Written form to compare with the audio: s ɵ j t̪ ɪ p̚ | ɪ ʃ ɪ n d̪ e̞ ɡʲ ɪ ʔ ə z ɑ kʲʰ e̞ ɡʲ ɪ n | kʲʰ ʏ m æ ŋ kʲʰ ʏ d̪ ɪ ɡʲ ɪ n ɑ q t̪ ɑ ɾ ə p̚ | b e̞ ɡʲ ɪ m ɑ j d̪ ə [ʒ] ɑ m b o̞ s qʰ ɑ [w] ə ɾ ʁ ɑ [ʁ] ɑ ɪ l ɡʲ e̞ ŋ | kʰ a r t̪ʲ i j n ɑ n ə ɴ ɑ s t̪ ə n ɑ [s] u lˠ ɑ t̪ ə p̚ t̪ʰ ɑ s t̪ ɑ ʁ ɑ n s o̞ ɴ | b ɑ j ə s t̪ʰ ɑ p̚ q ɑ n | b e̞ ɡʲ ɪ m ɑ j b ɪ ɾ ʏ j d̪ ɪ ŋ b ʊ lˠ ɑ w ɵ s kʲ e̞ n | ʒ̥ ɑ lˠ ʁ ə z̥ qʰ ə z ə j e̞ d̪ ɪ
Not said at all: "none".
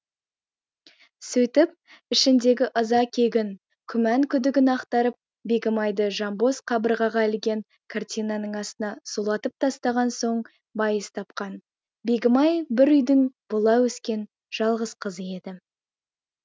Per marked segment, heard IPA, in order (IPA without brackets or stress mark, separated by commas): ʒ, b, ʁ, s